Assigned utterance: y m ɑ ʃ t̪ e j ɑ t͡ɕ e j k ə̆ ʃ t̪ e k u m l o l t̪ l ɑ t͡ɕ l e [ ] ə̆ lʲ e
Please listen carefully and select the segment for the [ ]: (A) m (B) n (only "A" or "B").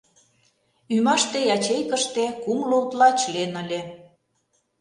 B